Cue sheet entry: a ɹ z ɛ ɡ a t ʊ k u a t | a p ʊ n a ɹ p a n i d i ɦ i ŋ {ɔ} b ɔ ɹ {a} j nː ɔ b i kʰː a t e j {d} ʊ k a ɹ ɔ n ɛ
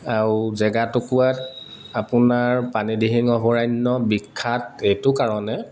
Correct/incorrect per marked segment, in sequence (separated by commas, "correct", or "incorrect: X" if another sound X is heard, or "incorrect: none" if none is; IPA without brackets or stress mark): correct, correct, incorrect: t